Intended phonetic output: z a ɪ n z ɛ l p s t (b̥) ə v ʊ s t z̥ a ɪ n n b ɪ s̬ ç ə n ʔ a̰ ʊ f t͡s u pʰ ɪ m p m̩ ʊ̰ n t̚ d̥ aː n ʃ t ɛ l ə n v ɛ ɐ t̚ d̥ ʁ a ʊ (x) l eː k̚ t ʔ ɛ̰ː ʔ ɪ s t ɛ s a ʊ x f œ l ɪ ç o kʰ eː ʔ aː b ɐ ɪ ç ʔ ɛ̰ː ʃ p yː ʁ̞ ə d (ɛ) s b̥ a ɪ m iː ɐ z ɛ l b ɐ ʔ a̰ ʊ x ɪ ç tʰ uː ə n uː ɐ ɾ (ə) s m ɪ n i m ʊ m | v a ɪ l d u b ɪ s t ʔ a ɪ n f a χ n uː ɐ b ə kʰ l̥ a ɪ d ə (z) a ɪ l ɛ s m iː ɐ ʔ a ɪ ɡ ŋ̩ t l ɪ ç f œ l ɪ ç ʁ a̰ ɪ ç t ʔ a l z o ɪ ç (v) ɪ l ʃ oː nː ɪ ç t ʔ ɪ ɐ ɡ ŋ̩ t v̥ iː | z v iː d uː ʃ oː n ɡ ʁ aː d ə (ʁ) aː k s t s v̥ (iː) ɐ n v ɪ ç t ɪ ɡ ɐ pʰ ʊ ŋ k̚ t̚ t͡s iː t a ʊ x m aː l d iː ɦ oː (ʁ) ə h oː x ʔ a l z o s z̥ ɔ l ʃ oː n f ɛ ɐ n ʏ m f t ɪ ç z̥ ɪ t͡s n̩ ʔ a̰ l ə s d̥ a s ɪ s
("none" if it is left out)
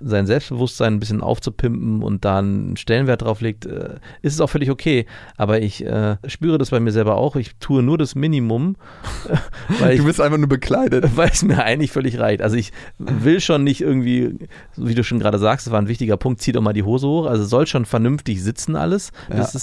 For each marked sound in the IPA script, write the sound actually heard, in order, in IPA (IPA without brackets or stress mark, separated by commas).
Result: b̥, f, a, a, v, v, z, aː, z